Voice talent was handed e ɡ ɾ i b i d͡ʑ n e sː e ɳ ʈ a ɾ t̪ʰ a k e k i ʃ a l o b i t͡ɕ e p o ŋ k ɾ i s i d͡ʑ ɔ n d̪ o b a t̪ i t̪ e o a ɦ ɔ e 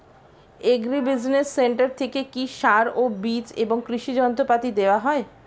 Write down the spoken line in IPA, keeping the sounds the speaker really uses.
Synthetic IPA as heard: e ɡ ɾ i b i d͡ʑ n e sː e ɳ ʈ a ɾ t̪ʰ e k e k i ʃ a ɾ o b i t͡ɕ e b o ŋ k ɾ i ʃ i d͡ʑ ɔ n t̪ o p a t̪ i d̪ e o a ɦ ɔ e